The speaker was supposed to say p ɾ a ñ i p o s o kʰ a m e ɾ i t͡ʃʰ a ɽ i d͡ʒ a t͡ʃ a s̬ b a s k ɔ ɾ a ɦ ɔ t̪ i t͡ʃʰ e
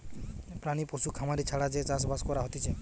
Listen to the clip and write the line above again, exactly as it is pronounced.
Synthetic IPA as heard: p ɾ a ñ i p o s u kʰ a m a ɾ i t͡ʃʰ a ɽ a d͡ʒ e t͡ʃ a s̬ b a s k ɔ ɾ a ɦ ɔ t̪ i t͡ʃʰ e